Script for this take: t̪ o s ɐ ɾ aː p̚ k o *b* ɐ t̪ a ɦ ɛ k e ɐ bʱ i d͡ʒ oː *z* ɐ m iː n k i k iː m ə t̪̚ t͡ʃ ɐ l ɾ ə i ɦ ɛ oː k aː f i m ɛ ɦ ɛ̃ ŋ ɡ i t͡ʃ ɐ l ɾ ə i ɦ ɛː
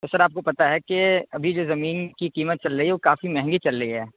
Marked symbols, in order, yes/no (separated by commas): no, yes